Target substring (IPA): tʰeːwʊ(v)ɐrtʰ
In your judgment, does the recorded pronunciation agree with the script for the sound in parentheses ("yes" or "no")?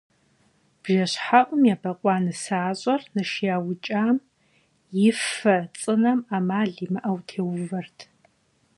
yes